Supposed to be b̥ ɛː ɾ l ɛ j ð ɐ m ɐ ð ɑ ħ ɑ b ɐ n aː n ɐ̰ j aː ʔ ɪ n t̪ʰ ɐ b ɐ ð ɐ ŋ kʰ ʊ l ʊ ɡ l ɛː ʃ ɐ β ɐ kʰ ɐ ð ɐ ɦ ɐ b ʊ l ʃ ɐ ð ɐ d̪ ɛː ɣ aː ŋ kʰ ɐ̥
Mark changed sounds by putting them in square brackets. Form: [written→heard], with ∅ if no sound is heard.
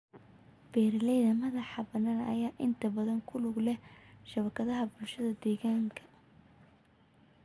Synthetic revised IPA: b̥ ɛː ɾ l ɛ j ð ɐ m ɐ ð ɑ ħ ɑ b ɐ n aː n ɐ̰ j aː ʔ ɪ n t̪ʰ ɐ b ɐ ð ɐ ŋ kʰ ʊ l ʊ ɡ l [ɛː→ɛ] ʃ ɐ β ɐ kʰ ɐ ð ɐ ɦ ɐ b ʊ l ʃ ɐ ð ɐ d̪ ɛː ɣ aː ŋ kʰ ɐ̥

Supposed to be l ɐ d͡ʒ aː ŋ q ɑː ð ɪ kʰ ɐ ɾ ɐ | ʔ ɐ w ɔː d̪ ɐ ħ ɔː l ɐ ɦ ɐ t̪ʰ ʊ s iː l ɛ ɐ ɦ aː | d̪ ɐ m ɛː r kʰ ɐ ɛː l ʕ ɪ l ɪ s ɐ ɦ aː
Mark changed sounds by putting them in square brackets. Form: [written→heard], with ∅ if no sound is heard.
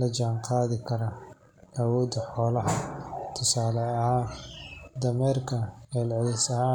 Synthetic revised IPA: l ɐ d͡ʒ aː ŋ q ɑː ð ɪ kʰ ɐ ɾ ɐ | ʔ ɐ w ɔː d̪ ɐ ħ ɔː l ɐ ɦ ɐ t̪ʰ ʊ s [iː→aː] l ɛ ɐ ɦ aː | d̪ ɐ m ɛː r kʰ ɐ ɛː l ʕ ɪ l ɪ s ɐ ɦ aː

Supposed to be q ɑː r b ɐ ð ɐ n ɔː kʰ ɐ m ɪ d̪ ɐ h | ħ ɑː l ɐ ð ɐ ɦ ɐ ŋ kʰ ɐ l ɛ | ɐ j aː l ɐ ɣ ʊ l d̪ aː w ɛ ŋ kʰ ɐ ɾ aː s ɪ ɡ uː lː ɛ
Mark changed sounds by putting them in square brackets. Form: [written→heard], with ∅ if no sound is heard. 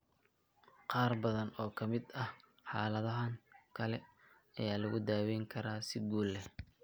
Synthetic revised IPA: q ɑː r b ɐ ð ɐ n ɔː kʰ ɐ m ɪ d̪ ɐ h | ħ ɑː l ɐ ð ɐ ɦ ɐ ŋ kʰ ɐ l ɛ | ɐ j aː l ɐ ɣ ʊ [l→∅] d̪ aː w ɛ ŋ kʰ ɐ ɾ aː s ɪ ɡ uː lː ɛ

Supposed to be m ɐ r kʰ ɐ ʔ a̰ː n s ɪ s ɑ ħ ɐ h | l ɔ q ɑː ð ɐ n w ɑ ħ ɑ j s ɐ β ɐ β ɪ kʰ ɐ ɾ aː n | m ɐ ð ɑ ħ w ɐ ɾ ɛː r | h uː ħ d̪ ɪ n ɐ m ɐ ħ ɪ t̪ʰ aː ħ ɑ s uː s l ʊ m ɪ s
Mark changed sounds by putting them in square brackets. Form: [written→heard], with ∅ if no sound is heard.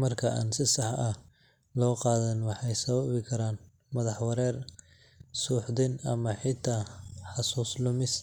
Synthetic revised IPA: m ɐ r kʰ ɐ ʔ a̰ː n s ɪ s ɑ ħ ɐ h | l [ɔ→ɔː] q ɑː ð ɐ n w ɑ ħ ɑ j s ɐ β ɐ β ɪ kʰ ɐ ɾ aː n | m ɐ ð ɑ ħ w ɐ ɾ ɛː r | [h→s] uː ħ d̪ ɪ n ɐ m ɐ ħ ɪ t̪ʰ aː ħ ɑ s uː s l ʊ m ɪ s

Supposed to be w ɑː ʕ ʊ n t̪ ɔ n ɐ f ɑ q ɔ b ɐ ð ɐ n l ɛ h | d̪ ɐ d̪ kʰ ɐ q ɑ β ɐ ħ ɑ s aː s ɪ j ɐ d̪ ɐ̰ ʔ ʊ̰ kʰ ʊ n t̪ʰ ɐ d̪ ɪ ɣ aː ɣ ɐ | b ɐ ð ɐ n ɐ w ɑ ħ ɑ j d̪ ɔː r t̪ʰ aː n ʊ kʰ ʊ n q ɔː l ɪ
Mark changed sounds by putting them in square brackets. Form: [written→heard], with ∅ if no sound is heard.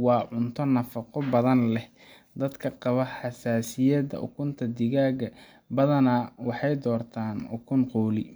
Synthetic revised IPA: w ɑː ʕ ʊ n [t̪→t̪ʰ] ɔ n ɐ f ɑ q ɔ b ɐ ð ɐ n l ɛ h | d̪ ɐ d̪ kʰ ɐ q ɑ β ɐ ħ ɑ s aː s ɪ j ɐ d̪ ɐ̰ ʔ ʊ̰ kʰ ʊ n t̪ʰ ɐ d̪ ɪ ɣ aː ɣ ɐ | b ɐ ð ɐ n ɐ w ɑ ħ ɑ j d̪ ɔː r t̪ʰ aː n ʊ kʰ ʊ n q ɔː l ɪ

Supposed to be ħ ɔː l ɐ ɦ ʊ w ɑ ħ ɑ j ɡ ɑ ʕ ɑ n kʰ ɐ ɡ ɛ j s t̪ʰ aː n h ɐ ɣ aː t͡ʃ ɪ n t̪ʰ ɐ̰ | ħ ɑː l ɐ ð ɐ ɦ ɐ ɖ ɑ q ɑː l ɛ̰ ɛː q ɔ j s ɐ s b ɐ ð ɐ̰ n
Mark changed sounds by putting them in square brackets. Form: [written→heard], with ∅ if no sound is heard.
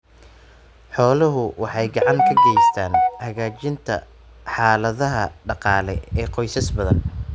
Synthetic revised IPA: ħ ɔː l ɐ ɦ ʊ w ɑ ħ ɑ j ɡ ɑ ʕ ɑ [n→ŋ] kʰ ɐ ɡ ɛ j s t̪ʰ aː n h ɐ ɣ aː t͡ʃ ɪ n t̪ʰ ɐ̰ | ħ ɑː l ɐ ð ɐ ɦ ɐ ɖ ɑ q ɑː l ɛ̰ ɛː q ɔ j s ɐ s b ɐ ð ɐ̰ n

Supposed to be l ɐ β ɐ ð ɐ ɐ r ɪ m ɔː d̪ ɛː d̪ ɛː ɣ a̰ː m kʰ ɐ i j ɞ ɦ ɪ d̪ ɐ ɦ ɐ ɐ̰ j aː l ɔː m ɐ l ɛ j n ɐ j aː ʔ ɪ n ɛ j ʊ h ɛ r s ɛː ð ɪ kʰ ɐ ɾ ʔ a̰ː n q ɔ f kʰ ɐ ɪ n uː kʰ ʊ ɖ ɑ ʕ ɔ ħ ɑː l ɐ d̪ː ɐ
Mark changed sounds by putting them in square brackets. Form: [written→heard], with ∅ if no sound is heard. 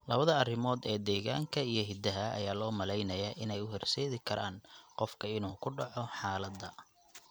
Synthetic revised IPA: l ɐ β ɐ ð ɐ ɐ r ɪ m ɔː d̪ ɛː d̪ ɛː ɣ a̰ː [m→ŋ] kʰ ɐ i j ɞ ɦ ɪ d̪ ɐ ɦ ɐ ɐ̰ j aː l ɔː m ɐ l ɛ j n ɐ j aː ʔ ɪ n ɛ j ʊ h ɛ r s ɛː ð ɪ kʰ ɐ ɾ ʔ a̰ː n q ɔ f kʰ ɐ ɪ n uː kʰ ʊ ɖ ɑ ʕ ɔ ħ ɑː l ɐ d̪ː ɐ

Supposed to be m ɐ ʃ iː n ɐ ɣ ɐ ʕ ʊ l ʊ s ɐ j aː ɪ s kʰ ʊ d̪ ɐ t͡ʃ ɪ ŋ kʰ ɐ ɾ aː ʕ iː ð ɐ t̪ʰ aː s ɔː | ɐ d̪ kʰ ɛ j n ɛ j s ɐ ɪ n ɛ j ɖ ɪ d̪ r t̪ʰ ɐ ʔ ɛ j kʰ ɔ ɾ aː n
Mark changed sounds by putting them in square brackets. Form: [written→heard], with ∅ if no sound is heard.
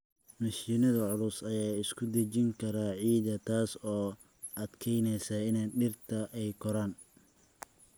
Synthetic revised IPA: m ɐ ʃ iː n ɐ [ɣ→ð] ɐ ʕ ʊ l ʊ s ɐ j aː ɪ s kʰ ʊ d̪ ɐ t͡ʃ ɪ ŋ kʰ ɐ ɾ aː ʕ iː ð ɐ t̪ʰ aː s ɔː | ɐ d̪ kʰ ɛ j n ɛ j s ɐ ɪ n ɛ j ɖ ɪ [d̪→∅] r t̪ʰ ɐ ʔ ɛ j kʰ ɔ ɾ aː n

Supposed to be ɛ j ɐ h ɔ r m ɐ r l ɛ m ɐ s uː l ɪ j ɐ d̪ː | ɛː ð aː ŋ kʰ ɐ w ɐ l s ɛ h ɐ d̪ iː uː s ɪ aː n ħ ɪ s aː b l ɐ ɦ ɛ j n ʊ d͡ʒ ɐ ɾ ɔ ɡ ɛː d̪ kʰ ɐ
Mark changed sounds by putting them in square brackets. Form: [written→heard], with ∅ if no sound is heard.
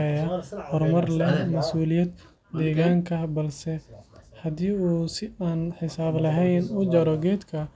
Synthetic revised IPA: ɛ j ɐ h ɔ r m ɐ r l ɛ m ɐ s uː l ɪ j ɐ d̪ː | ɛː [ð→ɣ] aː ŋ kʰ ɐ [w→b] ɐ l s ɛ h ɐ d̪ iː uː s ɪ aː n ħ ɪ s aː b l ɐ ɦ ɛ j n ʊ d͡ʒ ɐ ɾ ɔ ɡ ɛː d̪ kʰ ɐ

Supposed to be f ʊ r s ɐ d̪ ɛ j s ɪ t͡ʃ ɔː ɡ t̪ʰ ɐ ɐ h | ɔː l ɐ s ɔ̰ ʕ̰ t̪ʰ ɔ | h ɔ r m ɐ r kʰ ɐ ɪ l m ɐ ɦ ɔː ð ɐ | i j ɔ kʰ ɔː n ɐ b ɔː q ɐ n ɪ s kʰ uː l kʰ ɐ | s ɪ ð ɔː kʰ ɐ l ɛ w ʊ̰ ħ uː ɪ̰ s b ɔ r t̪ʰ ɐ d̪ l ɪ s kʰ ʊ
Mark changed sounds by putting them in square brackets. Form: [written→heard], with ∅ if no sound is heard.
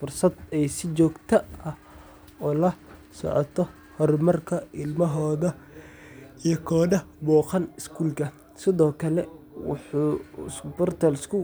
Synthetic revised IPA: f ʊ r s ɐ d̪ ɛ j s ɪ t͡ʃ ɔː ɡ t̪ʰ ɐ ɐ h | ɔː l ɐ s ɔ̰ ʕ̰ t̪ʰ ɔ | h ɔ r m ɐ r kʰ ɐ ɪ l m ɐ ɦ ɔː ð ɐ | i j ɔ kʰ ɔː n ɐ b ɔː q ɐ n ɪ s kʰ uː l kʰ ɐ | s ɪ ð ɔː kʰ ɐ l ɛ w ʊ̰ ħ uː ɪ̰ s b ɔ r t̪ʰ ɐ [d̪→∅] l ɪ s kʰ ʊ

